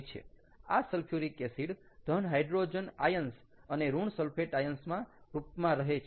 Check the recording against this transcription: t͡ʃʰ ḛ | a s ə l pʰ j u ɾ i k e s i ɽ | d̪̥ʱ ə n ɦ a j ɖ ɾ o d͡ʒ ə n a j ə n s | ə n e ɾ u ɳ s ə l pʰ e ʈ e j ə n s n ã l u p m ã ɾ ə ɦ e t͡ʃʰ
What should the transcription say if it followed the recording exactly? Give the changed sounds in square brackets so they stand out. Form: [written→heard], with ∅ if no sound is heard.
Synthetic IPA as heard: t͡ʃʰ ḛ | a s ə l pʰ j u ɾ i k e s i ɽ | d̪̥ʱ ə n ɦ a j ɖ ɾ o d͡ʒ ə n a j ə n s | ə n e ɾ u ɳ s ə l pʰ e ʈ [e→a] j ə n s [n→m] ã [l→ɾ] u p m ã ɾ ə ɦ e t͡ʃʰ